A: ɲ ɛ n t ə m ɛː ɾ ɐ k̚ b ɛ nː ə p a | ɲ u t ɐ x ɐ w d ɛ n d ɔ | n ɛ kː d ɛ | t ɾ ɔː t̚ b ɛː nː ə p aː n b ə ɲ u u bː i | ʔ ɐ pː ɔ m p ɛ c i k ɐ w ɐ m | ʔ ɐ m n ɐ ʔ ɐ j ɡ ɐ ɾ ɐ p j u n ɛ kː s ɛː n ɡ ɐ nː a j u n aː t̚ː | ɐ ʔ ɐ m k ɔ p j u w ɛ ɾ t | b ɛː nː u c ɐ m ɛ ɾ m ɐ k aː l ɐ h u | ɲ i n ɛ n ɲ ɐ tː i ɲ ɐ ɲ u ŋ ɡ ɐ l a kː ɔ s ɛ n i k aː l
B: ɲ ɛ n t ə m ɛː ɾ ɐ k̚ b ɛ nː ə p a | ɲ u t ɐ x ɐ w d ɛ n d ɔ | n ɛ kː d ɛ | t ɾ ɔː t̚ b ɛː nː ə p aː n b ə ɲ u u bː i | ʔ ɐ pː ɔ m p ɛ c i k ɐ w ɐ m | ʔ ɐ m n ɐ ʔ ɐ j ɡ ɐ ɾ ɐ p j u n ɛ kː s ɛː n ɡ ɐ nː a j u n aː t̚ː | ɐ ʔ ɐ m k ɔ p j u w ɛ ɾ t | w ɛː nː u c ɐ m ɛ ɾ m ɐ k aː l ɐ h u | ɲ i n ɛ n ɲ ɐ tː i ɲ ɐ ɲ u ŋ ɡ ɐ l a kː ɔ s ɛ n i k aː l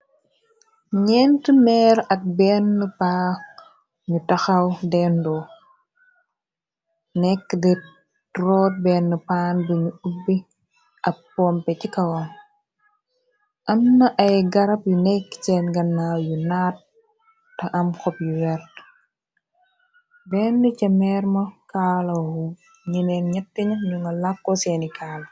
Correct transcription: A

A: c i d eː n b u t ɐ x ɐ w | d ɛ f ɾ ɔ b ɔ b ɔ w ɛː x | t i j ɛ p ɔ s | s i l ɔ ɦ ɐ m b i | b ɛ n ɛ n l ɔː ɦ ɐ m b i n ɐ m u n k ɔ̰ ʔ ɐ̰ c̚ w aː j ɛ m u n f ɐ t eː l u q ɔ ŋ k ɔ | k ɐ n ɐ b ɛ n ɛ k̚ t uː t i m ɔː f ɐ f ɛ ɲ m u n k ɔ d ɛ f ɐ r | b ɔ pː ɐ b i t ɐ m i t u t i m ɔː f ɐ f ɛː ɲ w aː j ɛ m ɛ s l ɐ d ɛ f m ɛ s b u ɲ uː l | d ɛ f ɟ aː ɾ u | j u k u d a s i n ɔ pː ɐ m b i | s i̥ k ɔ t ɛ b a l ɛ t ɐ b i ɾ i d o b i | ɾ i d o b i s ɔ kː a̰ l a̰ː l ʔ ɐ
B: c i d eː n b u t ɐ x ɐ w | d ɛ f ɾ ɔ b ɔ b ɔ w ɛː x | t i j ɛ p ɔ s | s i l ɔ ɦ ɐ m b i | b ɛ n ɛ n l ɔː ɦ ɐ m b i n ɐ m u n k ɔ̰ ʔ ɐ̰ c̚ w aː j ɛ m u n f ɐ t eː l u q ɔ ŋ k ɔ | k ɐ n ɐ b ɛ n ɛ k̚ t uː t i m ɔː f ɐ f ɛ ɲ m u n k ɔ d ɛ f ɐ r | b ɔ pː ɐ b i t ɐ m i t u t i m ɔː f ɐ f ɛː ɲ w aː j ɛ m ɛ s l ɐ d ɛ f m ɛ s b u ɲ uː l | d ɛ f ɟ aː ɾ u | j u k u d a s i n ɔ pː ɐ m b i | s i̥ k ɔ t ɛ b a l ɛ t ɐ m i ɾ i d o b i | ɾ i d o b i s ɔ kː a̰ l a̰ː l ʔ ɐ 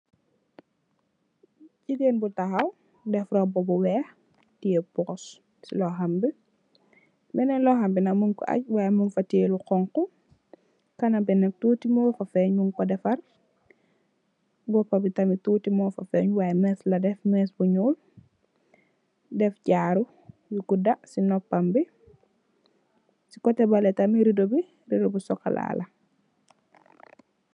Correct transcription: B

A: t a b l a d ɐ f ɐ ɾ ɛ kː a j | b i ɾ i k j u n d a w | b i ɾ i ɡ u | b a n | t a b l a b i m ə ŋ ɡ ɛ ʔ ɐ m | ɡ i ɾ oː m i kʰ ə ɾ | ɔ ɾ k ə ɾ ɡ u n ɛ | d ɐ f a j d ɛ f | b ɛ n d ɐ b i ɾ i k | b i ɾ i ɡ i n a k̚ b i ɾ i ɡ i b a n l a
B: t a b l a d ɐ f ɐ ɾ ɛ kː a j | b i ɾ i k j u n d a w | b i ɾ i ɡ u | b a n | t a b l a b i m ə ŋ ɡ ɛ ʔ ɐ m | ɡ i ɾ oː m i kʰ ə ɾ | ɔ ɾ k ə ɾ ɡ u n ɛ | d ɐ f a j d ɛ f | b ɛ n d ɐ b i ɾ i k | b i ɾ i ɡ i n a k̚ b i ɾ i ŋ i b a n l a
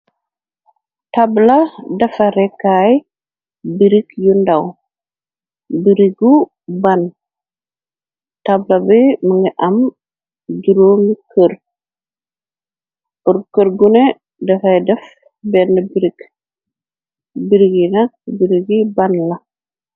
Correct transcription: A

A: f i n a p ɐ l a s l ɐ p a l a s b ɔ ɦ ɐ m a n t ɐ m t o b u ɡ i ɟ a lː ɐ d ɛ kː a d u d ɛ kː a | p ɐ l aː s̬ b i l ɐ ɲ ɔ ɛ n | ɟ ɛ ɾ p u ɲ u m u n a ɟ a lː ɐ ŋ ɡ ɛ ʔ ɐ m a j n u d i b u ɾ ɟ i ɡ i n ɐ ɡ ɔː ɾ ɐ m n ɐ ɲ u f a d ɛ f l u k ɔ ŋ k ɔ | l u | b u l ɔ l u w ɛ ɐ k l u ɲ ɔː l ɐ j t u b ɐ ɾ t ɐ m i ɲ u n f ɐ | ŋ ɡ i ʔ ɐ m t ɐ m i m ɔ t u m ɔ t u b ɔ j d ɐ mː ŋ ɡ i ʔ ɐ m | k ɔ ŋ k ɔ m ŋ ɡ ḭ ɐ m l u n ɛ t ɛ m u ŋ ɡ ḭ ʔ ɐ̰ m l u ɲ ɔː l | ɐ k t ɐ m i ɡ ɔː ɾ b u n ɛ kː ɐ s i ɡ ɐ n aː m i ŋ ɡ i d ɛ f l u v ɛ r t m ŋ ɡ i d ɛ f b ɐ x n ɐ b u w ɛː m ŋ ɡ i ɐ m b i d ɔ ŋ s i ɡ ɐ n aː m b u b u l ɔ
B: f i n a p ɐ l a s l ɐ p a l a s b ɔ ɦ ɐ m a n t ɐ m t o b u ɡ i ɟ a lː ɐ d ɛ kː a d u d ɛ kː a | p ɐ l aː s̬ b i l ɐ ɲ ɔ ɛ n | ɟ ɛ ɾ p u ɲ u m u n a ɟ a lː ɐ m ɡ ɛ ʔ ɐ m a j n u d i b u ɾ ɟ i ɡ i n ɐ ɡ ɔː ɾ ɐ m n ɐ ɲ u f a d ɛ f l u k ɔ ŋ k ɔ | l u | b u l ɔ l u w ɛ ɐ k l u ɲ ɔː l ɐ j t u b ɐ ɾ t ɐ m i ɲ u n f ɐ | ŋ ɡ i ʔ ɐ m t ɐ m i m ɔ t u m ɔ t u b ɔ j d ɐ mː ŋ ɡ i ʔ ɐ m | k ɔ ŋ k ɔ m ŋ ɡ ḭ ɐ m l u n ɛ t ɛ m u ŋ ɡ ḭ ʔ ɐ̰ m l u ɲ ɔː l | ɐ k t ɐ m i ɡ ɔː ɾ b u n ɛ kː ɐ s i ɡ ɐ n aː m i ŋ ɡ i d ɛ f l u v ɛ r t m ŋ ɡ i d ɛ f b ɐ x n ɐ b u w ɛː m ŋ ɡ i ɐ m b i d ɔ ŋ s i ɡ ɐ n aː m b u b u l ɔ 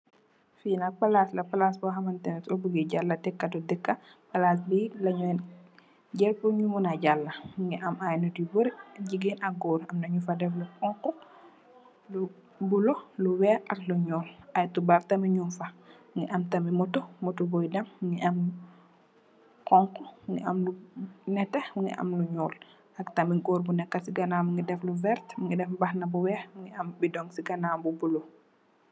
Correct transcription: A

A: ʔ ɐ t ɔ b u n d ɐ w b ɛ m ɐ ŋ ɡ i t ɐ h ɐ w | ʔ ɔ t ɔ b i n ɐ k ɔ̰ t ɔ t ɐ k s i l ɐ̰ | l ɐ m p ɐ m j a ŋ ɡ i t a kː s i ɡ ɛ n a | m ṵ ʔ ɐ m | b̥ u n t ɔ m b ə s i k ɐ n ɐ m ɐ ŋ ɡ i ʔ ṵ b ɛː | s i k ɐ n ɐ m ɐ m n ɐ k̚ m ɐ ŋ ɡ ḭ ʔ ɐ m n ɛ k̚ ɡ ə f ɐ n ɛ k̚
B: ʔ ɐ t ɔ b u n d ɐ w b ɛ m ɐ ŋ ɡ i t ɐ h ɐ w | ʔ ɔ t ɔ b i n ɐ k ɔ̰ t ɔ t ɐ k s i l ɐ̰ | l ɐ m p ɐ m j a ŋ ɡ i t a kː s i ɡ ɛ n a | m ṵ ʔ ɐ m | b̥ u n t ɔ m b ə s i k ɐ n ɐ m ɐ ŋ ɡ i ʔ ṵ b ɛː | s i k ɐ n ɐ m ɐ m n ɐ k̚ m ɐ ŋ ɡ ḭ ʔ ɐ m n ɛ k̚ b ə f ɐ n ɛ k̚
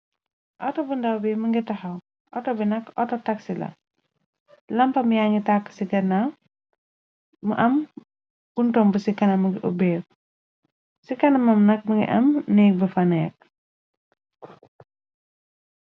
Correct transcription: B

